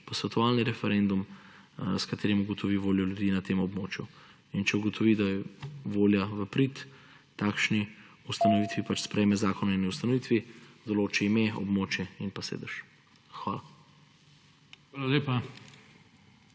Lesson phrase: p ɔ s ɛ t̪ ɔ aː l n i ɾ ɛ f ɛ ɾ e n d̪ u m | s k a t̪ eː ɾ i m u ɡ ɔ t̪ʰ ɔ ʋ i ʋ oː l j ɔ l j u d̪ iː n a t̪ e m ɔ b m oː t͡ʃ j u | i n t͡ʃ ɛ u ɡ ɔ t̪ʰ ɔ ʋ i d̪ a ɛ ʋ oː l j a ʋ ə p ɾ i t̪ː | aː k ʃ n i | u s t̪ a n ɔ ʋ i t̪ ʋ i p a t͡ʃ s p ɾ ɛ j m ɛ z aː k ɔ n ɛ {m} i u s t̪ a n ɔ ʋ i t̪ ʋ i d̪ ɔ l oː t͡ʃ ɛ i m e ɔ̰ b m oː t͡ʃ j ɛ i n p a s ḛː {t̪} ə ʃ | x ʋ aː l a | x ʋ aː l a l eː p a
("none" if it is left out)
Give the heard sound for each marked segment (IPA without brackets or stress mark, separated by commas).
n, d̪